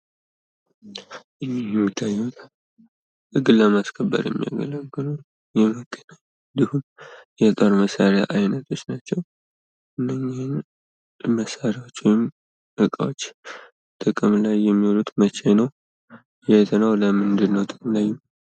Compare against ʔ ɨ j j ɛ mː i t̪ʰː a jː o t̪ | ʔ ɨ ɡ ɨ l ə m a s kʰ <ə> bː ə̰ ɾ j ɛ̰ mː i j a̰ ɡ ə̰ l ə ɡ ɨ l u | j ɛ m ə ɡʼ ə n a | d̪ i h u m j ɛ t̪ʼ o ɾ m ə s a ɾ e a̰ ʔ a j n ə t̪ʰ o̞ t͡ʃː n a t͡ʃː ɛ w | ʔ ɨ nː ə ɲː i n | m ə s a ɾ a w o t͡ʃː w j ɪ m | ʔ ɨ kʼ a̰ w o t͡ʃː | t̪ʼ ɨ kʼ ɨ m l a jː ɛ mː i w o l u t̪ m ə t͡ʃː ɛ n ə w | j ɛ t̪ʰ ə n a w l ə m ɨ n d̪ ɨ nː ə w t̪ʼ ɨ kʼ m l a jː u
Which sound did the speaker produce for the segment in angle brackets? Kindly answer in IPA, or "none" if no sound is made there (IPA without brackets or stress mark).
ə